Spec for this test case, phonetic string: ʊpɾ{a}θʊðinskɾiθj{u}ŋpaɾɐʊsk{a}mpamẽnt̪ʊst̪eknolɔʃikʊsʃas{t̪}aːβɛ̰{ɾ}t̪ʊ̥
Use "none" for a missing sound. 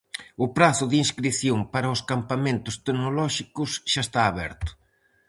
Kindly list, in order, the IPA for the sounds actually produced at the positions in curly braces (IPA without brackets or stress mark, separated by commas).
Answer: a, o, a, t̪, ɾ